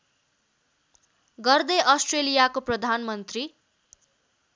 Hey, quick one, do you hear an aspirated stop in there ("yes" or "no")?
no